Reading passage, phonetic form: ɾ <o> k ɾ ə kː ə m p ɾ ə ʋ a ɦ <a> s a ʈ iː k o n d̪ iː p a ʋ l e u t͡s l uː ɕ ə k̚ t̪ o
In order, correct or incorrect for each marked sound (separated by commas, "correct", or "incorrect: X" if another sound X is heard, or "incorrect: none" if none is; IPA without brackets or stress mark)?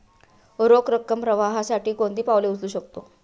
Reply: correct, correct